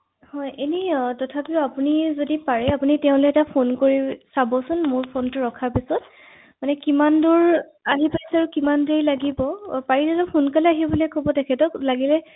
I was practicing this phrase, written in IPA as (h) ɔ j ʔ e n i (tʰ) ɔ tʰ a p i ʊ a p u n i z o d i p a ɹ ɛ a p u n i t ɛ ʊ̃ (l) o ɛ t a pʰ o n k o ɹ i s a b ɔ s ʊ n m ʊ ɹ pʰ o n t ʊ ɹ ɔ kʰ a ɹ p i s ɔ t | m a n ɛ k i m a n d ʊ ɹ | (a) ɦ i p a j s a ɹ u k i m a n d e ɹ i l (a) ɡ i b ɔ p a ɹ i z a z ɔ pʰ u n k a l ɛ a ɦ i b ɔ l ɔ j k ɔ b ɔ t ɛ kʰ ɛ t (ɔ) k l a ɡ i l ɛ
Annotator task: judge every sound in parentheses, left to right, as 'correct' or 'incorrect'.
correct, incorrect: t, correct, correct, correct, correct

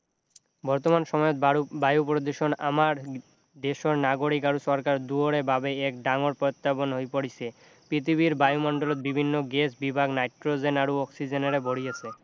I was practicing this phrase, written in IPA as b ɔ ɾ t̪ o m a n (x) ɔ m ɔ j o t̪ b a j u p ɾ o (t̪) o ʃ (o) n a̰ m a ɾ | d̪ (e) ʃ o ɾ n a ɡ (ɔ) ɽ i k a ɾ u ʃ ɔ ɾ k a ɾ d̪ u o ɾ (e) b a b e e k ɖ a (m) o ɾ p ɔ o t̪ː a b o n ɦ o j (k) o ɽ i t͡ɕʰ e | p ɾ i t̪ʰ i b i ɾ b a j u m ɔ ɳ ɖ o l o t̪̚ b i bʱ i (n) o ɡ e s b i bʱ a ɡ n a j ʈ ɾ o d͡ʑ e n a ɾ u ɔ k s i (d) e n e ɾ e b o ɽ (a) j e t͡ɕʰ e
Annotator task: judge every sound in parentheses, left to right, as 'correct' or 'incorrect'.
incorrect: ʃ, incorrect: d̪, correct, correct, incorrect: o, correct, incorrect: ŋ, incorrect: p, incorrect: nː, incorrect: d͡ʑ, incorrect: i

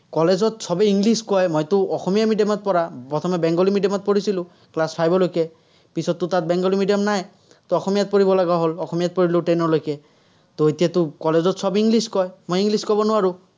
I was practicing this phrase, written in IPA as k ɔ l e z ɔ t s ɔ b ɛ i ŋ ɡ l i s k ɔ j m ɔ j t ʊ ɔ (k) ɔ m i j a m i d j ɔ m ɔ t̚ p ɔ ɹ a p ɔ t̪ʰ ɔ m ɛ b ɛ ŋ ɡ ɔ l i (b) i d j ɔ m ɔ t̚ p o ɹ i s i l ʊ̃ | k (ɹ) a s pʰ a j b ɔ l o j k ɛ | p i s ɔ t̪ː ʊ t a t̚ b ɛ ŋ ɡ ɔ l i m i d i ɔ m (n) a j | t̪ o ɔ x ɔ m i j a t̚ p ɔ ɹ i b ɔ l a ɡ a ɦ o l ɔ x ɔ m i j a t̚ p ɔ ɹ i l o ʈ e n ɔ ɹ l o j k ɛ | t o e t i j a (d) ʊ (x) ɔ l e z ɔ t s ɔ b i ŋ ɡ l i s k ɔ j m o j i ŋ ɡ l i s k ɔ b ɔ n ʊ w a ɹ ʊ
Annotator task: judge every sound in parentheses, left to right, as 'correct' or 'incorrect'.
incorrect: x, incorrect: m, incorrect: l, correct, incorrect: t, incorrect: k

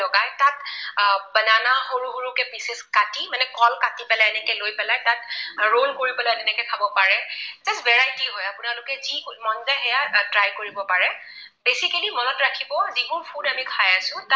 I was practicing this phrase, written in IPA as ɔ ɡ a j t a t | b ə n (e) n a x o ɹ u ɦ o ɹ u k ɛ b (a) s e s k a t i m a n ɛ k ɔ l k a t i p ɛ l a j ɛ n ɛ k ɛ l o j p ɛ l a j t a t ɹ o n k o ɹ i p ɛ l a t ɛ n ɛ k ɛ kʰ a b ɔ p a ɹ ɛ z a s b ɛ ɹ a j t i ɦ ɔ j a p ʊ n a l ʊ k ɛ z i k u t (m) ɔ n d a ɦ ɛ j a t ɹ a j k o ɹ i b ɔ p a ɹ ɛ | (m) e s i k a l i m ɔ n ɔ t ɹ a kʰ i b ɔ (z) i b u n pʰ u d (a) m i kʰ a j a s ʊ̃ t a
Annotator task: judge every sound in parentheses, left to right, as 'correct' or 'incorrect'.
incorrect: a, incorrect: i, correct, incorrect: b, correct, correct

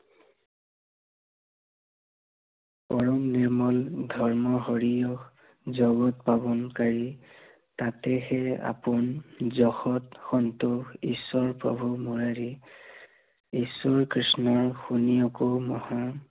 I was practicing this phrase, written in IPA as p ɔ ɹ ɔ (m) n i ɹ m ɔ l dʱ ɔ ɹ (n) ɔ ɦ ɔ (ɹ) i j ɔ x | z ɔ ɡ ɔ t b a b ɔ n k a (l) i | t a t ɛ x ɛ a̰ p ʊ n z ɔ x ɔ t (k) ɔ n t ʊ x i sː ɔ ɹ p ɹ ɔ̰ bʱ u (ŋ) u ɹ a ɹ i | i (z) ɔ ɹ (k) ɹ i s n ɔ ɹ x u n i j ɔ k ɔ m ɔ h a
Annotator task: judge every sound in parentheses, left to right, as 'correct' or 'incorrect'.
correct, incorrect: m, correct, incorrect: ɹ, incorrect: x, incorrect: m, incorrect: s, correct

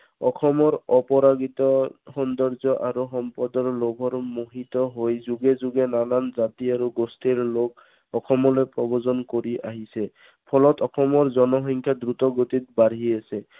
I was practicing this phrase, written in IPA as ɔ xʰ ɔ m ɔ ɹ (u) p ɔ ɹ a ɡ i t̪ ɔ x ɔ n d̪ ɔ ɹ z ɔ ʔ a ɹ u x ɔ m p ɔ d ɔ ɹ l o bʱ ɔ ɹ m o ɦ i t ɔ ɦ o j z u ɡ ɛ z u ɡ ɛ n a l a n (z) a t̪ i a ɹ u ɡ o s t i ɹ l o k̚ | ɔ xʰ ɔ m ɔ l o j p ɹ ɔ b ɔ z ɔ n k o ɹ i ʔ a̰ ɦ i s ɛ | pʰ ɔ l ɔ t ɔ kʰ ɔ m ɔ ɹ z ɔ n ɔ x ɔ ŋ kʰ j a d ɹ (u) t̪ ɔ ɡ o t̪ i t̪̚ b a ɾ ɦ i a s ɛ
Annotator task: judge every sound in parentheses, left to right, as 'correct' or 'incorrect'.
incorrect: ɔ, correct, correct

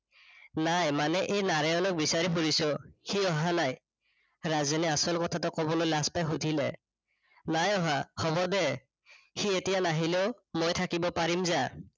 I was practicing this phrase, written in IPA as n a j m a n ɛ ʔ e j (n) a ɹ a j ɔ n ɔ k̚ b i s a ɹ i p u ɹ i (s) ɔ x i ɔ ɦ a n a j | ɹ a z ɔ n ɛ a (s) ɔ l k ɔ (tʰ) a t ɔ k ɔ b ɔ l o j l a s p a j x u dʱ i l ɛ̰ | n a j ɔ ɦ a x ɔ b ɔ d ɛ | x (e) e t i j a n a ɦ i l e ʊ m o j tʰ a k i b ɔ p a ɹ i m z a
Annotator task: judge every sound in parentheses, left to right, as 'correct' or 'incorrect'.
correct, correct, correct, correct, incorrect: i

